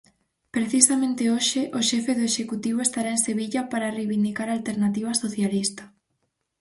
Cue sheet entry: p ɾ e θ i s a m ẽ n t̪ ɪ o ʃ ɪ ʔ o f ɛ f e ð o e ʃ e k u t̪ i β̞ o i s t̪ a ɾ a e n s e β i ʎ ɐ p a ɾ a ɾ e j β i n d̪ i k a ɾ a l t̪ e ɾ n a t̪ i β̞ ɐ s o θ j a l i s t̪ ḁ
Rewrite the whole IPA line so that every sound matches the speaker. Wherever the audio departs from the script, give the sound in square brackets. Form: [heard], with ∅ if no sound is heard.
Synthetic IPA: p ɾ e θ i s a m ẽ n t̪ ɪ o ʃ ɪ ʔ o [ʃ] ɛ f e ð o e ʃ e k u t̪ i β̞ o [e] s t̪ a ɾ a e n s e β i ʎ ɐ p a ɾ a [r] e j β i n d̪ i k a ɾ a l t̪ e ɾ n a t̪ i β̞ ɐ s o θ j a l i s t̪ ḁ